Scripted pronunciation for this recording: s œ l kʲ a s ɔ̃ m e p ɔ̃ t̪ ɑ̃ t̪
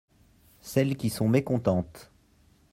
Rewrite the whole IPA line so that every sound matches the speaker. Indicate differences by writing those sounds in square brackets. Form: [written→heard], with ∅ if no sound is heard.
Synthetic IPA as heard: s [œ→ɛ] l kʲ [a→i] s ɔ̃ m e [p→k] ɔ̃ t̪ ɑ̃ t̪